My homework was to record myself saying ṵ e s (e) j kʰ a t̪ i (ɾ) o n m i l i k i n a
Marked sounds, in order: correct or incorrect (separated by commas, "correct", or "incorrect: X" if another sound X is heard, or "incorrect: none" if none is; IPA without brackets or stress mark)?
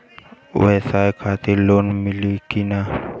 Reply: incorrect: a, incorrect: l